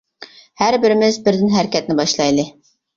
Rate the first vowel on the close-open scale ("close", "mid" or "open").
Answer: open